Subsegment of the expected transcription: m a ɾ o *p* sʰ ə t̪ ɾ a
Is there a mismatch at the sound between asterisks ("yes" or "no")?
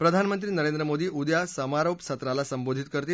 no